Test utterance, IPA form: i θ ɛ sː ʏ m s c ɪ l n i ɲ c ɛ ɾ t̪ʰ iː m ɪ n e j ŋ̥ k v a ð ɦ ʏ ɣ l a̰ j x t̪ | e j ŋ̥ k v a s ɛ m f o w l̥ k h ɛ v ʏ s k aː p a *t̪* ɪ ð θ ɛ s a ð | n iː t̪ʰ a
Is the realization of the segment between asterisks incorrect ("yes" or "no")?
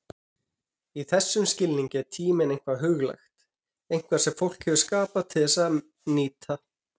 yes